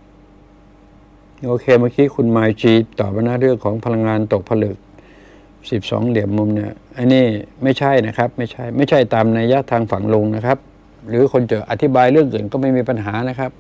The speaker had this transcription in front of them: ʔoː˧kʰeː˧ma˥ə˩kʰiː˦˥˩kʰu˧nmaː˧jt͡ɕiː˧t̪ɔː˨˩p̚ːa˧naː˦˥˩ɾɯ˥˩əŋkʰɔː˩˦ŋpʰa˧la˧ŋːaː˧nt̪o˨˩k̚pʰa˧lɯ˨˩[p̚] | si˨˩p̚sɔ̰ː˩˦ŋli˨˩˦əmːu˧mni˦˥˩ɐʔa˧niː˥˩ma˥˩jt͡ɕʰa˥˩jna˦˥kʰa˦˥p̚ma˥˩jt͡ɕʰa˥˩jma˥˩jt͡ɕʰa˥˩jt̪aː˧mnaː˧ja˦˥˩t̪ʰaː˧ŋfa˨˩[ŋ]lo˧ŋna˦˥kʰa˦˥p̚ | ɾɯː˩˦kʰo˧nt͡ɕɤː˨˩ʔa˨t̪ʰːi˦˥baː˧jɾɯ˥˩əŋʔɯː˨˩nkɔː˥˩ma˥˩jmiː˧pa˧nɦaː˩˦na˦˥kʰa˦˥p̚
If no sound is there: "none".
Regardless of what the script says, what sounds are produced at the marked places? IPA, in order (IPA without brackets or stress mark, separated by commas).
k̚, ŋ